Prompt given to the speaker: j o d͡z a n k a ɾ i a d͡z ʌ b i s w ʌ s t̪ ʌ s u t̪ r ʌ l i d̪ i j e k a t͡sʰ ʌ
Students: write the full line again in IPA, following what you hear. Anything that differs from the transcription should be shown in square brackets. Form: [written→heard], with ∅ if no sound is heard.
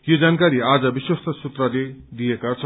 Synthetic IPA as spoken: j o d͡z a n k a ɾ i a d͡z ʌ b i s w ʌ s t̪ ʌ s u t̪ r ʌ l [i→e] d̪ i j e k a t͡sʰ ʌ

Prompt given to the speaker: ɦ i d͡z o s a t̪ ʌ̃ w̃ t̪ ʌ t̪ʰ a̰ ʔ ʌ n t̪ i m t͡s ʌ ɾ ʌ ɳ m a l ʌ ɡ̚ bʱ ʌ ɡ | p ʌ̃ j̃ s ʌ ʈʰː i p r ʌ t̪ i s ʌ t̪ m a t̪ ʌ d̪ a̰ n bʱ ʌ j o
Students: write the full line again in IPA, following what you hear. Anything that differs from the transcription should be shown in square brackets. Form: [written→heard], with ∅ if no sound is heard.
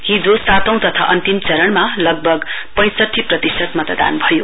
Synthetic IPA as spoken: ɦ i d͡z o s a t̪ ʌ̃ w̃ t̪ ʌ t̪ʰ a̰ ʔ ʌ n t̪ i m t͡s ʌ ɾ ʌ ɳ m a l ʌ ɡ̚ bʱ ʌ ɡ | p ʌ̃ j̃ s ʌ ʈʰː i p r ʌ t̪ i s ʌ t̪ m [a→ʌ] t̪ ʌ d̪ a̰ n bʱ ʌ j o

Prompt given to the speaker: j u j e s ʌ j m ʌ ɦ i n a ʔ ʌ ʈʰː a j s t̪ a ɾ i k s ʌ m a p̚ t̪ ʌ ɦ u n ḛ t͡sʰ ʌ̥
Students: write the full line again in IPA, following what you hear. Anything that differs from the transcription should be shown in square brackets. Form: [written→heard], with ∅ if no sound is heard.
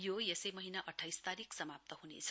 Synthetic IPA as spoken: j [u→o] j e s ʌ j m ʌ ɦ i n a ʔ ʌ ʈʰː a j s t̪ a ɾ i k s ʌ m a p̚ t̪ ʌ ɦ u n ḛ t͡sʰ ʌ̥

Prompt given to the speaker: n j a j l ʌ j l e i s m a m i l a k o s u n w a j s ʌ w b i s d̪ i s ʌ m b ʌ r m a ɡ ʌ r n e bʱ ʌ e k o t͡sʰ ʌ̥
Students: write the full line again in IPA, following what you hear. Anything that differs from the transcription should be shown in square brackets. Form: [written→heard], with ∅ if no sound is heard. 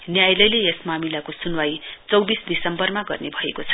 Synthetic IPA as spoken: n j a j l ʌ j l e [i→e] s m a m i l a k o s u n w a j [s→t͡s] ʌ w b i s d̪ i s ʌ m b ʌ r m a ɡ ʌ r n e bʱ ʌ e k o t͡sʰ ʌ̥

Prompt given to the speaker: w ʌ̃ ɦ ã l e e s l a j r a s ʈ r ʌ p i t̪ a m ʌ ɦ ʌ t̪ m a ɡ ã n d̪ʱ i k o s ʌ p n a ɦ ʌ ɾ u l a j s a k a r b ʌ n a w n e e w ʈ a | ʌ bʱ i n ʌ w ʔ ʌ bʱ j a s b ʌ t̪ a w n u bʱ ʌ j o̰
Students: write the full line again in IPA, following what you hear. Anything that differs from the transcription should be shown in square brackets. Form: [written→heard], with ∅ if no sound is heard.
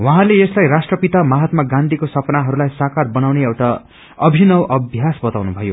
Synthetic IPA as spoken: w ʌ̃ ɦ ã l e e s l a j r a s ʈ r ʌ p i t̪ a m [ʌ→a] ɦ ʌ t̪ m a ɡ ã n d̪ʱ i k o s ʌ p n a ɦ ʌ ɾ u l a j s a k a r b ʌ n a w n e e w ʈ a | ʌ bʱ i n ʌ w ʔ ʌ bʱ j a s b ʌ t̪ a w n u bʱ ʌ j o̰

